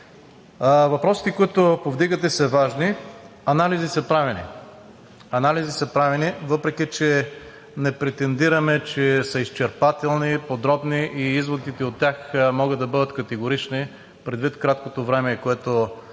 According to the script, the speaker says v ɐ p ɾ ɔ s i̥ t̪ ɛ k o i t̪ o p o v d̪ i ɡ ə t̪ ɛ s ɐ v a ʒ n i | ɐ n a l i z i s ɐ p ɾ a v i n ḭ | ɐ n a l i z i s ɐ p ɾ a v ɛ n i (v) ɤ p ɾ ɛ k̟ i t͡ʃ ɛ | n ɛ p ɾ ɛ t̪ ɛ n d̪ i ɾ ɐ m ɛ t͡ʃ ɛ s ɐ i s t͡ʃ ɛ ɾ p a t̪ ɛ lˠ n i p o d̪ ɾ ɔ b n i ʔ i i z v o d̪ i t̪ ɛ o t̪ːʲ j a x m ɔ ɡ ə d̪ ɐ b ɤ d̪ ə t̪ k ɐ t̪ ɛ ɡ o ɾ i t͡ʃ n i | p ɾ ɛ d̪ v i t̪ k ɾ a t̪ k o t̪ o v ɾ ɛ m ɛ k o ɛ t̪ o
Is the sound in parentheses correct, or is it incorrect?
correct